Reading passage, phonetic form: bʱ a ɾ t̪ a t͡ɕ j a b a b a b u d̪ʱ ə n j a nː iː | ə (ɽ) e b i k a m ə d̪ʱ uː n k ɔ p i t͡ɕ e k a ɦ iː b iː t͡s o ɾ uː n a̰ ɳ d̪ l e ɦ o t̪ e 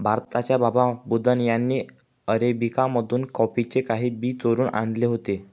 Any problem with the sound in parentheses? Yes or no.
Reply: yes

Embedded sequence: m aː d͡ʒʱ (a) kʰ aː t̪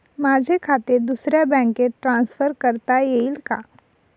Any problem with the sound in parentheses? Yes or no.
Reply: yes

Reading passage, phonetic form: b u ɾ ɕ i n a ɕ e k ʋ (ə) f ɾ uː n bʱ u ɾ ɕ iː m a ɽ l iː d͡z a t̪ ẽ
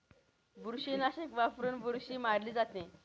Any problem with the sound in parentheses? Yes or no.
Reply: yes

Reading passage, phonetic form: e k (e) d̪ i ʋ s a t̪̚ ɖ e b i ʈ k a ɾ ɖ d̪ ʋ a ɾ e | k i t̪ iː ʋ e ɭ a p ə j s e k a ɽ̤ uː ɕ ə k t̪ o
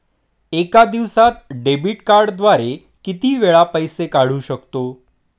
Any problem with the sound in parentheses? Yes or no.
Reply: yes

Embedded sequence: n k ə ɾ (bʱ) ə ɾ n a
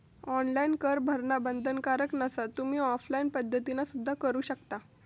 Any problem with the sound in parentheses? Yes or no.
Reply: no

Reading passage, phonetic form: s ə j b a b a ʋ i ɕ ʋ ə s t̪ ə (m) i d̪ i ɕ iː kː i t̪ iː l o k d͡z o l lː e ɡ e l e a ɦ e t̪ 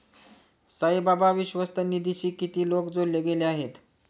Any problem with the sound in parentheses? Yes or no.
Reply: yes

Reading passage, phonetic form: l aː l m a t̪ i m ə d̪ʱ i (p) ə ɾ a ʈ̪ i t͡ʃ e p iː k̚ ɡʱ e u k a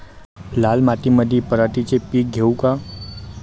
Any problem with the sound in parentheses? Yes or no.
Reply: no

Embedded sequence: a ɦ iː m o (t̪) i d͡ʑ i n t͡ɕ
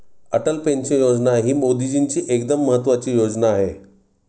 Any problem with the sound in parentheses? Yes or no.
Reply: yes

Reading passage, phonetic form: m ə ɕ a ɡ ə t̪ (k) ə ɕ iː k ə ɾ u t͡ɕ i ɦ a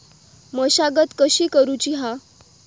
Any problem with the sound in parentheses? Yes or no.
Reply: no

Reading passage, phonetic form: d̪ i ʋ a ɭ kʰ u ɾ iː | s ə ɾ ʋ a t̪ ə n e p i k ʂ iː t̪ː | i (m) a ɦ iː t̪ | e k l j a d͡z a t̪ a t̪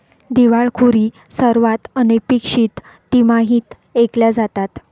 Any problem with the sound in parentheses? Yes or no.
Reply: no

